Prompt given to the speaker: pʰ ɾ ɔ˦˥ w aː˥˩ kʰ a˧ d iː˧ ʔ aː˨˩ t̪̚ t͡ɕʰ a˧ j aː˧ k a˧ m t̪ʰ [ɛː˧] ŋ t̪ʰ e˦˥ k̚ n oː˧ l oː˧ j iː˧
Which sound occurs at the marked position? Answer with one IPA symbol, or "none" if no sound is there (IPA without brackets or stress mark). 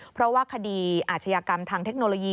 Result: aː˧